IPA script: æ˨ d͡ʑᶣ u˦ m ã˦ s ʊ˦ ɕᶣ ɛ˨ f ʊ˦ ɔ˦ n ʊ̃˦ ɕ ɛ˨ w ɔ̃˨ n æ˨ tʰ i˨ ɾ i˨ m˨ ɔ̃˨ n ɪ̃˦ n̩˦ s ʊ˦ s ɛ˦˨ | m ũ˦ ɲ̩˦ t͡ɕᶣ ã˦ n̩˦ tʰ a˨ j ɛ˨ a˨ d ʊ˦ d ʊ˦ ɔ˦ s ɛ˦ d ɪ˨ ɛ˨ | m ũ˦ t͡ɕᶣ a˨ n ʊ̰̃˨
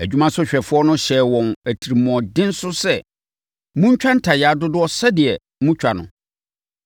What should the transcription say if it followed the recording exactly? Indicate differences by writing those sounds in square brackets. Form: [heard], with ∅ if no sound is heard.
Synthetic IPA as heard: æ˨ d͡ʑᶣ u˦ m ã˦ s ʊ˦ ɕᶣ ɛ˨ f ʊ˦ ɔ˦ n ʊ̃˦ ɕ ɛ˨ w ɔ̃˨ n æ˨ tʰ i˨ ɾ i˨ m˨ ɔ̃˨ [d] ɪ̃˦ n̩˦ s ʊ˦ s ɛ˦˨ | m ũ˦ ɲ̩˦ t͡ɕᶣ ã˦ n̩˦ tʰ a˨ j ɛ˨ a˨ d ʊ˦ d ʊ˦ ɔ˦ s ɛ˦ d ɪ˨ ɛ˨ | m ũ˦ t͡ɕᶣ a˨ n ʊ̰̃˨